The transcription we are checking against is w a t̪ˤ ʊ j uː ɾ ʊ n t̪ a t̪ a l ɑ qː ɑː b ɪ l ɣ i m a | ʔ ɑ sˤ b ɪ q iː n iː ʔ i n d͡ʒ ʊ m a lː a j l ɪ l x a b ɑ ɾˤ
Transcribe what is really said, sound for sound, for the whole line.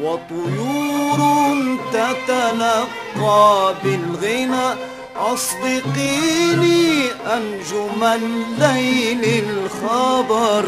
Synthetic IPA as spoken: w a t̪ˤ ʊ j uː ɾ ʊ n t̪ a t̪ a l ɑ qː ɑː b ɪ l ɣ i n a | ʔ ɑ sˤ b ɪ q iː n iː ʔ a n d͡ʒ ʊ m a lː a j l ɪ l x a b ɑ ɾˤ